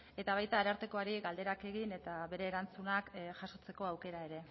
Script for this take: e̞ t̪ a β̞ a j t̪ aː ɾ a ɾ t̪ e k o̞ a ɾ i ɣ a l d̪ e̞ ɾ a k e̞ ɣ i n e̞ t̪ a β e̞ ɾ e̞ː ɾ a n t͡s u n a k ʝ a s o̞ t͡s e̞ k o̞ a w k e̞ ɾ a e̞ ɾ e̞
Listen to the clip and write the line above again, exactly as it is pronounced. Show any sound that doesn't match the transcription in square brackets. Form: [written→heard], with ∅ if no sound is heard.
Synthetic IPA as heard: e̞ t̪ a β̞ a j t̪ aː ɾ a ɾ t̪ e k o̞ a ɾ i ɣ a l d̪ e̞ ɾ a k e̞ ɣ i n e̞ t̪ a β e̞ ɾ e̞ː ɾ a n t͡s u n a k ʝ a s o̞ t͡s e̞ k o̞ a w k e̞ ɾ a e̞ ɾ e̞